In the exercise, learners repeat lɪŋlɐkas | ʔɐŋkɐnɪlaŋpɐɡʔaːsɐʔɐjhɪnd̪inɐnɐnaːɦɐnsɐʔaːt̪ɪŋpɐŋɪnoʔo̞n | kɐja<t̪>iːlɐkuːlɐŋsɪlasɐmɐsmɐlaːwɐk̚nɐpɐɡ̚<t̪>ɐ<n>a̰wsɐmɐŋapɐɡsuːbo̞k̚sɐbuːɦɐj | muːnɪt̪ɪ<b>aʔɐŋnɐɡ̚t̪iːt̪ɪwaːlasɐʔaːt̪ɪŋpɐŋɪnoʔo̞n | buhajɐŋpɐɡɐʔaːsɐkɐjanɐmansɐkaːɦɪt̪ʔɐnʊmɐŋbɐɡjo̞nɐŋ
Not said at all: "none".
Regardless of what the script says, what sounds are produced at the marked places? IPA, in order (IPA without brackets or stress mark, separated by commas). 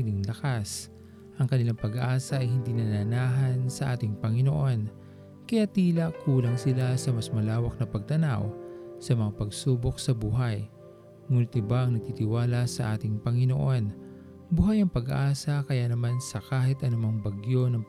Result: t̪, t̪, n, b